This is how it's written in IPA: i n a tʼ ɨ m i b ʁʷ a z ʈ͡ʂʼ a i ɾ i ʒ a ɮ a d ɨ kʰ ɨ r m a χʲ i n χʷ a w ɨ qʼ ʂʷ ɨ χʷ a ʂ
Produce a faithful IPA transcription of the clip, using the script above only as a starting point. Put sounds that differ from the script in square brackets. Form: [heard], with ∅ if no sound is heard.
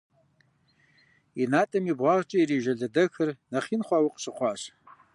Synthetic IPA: i n a tʼ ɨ m i b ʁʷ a [ʁ] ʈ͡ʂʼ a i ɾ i ʒ a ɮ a d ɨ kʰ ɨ r [n] a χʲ i n χʷ a w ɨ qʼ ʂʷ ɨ χʷ a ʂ

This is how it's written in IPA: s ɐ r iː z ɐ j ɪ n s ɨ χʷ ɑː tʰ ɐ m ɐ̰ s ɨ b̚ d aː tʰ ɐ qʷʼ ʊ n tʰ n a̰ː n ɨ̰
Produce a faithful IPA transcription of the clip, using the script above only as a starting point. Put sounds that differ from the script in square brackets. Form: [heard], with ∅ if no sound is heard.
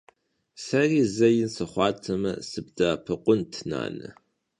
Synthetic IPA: s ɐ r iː z ɐ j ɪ n s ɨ χʷ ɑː tʰ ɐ m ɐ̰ s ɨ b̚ d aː [pʰ] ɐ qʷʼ ʊ n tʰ n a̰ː n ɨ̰

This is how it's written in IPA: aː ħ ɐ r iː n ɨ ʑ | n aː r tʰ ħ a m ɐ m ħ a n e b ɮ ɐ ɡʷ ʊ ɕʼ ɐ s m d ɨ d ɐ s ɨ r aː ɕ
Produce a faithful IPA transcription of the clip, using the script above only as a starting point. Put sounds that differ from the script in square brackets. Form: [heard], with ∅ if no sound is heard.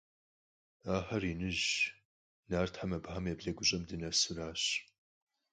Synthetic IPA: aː ħ ɐ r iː n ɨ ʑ | n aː r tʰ ħ a m ɐ [b] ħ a [m] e b ɮ ɐ ɡʷ ʊ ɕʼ ɐ [∅] m d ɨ [n] ɐ s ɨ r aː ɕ

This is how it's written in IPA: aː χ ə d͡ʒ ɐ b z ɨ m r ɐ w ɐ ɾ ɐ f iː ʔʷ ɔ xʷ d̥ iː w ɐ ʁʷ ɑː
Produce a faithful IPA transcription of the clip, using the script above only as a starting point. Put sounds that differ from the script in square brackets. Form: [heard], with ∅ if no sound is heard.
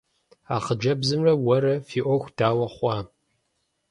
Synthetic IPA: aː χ ə d͡ʒ ɐ b z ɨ m r ɐ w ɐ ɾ ɐ f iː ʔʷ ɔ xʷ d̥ [aː] w ɐ [χʷ] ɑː

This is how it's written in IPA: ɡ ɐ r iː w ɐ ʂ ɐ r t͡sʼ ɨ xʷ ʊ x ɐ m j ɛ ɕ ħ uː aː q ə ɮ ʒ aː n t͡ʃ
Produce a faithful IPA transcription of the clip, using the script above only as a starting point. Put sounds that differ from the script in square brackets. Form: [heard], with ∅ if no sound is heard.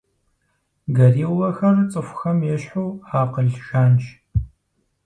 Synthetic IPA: ɡ ɐ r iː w ɐ [x] ɐ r t͡sʼ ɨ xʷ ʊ x ɐ m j ɛ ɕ ħ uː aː q ə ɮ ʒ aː n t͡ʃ

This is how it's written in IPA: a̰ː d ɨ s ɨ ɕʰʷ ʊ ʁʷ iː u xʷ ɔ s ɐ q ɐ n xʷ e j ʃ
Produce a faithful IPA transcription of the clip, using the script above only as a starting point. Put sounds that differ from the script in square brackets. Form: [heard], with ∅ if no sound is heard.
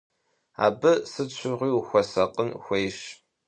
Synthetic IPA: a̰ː [b] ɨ s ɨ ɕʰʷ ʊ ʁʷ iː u xʷ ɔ s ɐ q [ə] n xʷ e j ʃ

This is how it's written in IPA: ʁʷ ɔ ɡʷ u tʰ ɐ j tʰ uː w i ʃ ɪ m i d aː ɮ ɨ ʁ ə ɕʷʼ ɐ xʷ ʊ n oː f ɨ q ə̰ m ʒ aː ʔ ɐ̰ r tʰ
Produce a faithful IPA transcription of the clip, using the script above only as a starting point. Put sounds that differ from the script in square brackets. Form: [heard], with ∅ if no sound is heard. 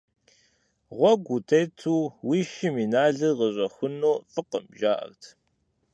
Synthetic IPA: ʁʷ ɔ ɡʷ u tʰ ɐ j tʰ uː w i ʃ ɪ m i [n] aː ɮ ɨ ʁ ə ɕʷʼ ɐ xʷ ʊ n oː f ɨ q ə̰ m ʒ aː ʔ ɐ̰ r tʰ

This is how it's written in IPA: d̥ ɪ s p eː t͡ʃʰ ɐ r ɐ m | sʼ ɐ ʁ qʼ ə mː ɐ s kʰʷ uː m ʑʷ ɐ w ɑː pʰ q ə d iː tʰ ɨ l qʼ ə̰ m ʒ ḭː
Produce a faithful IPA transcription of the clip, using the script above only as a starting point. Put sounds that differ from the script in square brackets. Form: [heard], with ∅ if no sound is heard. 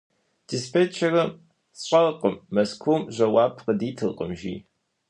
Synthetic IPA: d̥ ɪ s p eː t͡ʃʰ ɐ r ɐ m | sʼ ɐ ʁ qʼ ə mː ɐ s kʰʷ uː m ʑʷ ɐ w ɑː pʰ q ə d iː tʰ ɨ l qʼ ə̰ m ʒ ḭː

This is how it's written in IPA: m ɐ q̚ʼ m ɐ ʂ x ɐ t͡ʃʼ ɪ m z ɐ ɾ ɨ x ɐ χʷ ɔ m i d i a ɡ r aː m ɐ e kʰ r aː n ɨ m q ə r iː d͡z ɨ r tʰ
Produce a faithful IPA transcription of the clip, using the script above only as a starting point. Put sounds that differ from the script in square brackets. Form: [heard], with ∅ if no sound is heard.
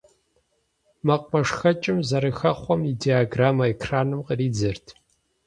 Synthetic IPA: m ɐ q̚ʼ m ɐ ʂ x ɐ t͡ʃʼ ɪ m z ɐ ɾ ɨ x ɐ χʷ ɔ m i d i a ɡ r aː m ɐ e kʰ r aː n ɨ m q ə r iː d͡z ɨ r tʰ

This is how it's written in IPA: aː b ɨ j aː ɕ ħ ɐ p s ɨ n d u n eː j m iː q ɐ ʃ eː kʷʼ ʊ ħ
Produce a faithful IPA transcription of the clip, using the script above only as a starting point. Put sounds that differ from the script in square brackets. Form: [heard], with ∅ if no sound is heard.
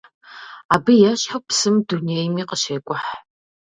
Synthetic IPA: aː b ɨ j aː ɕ ħ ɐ p s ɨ [m] d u n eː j m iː q [ə] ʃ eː kʷʼ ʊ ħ

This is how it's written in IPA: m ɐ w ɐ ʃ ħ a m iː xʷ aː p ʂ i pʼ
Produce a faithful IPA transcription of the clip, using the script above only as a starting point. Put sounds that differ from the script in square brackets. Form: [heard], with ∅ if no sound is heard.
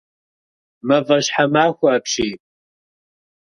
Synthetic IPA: m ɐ [v] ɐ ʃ ħ a m [aː] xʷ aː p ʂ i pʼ

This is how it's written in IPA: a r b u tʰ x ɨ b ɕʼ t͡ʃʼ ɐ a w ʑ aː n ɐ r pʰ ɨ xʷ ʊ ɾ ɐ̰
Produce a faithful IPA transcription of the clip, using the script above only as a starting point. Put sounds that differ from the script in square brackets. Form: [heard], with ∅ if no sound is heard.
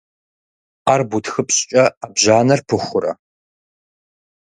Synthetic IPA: a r b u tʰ x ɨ [p] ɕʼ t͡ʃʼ ɐ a [b] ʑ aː n ɐ r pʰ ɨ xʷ ʊ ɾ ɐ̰

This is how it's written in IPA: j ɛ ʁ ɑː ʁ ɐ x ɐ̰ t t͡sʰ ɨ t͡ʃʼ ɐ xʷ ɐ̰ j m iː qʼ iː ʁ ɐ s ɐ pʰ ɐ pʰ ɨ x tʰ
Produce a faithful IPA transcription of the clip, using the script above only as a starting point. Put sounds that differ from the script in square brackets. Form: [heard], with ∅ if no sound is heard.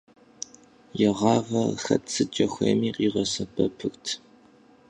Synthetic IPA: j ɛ ʁ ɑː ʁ ɐ x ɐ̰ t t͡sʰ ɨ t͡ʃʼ ɐ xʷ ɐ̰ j m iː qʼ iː ʁ ɐ s ɐ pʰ ɐ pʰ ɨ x tʰ

